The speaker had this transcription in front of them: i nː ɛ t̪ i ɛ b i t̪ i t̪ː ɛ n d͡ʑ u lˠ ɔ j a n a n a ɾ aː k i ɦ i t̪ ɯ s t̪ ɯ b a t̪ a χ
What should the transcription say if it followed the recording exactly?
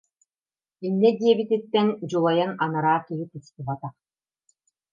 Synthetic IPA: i nː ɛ d̪ i ɛ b i t̪ i t̪ː ɛ n d͡ʑ u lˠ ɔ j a n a n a ɾ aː k i ɦ i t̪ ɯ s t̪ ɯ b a t̪ a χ